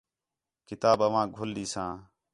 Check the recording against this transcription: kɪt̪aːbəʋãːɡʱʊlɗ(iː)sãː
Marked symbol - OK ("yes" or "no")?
yes